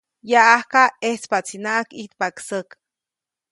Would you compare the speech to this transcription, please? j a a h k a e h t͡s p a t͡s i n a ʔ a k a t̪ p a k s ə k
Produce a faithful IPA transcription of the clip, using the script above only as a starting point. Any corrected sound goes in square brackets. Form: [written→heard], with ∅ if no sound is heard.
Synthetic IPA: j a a h k a e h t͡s p a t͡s i n a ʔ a k [a→i] t̪ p a k s ə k